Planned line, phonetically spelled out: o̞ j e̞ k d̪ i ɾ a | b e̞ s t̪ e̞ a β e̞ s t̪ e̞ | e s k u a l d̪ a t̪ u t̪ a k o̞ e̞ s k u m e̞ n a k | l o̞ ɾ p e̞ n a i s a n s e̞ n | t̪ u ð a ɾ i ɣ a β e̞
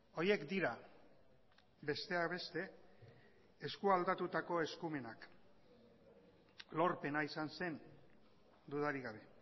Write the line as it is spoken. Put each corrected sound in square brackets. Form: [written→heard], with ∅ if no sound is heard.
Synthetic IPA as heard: o̞ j e̞ k d̪ i ɾ a | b e̞ s t̪ e̞ a β e̞ s t̪ e̞ | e s k u a l d̪ a t̪ u t̪ a k o̞ e̞ s k u m e̞ n a k | l o̞ ɾ p e̞ n a i s a n s e̞ n | [t̪→d̪] u ð a ɾ i ɣ a β e̞